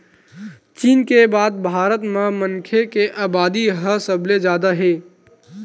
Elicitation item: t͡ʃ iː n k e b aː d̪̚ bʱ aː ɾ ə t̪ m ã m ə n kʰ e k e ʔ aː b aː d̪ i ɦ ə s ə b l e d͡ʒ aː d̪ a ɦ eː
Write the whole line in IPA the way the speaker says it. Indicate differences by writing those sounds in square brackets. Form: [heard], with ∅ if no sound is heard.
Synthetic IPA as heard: t͡ʃ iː n k e b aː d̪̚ bʱ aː ɾ ə t̪ m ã m ə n kʰ e k e ʔ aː b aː d̪ i ɦ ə s ə b l e d͡ʒ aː d̪ a ɦ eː